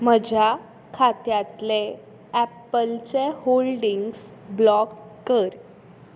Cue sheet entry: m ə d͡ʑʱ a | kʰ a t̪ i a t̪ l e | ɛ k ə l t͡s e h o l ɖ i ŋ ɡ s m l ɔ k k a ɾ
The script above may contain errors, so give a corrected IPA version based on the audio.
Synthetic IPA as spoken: m ə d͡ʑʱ a | kʰ a t̪ j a t̪ l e | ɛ p ə l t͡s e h o l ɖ i ŋ ɡ s b l ɔ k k ə ɾ